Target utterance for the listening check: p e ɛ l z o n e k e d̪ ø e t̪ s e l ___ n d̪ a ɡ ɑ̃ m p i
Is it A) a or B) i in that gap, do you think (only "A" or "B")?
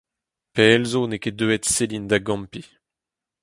B